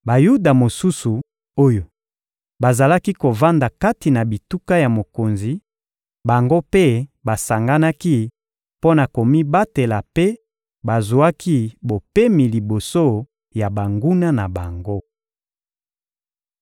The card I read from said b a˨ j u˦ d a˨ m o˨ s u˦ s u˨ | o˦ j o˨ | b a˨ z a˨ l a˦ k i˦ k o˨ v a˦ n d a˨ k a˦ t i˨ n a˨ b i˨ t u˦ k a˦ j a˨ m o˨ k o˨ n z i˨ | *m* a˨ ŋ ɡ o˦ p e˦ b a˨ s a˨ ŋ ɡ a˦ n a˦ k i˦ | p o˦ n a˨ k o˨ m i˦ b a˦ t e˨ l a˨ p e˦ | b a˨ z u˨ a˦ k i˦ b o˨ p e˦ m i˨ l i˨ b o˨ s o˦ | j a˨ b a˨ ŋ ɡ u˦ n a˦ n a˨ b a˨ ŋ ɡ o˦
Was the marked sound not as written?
yes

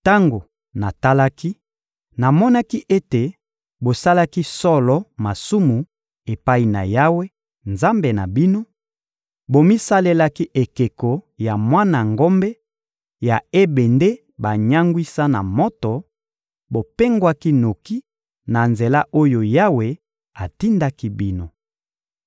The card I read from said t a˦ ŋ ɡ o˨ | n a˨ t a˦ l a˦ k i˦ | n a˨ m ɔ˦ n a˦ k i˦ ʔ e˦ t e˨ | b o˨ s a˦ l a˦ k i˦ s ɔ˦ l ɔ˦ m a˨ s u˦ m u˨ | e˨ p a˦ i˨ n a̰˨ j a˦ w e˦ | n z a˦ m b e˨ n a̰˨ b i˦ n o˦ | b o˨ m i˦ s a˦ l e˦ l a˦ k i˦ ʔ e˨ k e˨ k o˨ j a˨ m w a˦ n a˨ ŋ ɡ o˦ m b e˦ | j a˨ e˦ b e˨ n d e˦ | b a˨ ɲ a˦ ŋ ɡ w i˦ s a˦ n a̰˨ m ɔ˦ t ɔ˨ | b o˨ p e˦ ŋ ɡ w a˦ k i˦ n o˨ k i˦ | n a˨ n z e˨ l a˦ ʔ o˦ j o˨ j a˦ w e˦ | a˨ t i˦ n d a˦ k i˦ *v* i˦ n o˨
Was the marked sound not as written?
yes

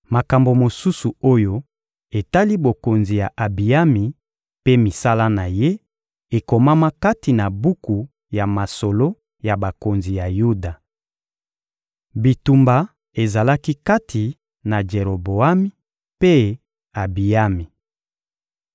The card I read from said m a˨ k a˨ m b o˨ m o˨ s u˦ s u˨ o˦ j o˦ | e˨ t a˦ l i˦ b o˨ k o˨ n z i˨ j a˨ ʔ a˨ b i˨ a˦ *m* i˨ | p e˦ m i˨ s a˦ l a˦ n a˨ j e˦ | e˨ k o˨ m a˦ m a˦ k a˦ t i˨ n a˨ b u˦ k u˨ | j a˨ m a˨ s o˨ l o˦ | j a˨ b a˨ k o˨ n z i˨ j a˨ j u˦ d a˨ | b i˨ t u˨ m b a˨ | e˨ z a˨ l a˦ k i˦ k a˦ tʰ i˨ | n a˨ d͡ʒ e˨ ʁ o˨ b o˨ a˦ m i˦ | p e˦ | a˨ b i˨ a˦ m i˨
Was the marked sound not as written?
no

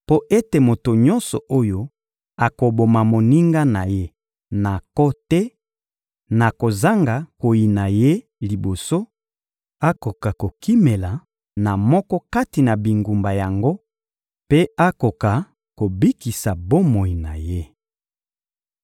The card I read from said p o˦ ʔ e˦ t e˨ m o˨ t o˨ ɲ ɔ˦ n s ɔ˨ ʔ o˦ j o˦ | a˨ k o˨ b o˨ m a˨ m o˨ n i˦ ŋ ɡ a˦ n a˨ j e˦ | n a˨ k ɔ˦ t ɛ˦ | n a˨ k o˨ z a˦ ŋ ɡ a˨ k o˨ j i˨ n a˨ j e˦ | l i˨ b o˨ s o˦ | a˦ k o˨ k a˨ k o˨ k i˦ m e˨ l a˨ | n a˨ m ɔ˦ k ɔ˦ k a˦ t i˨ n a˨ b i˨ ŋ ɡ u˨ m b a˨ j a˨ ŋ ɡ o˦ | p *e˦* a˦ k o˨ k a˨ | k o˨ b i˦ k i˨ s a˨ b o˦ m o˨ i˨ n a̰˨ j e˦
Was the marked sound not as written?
no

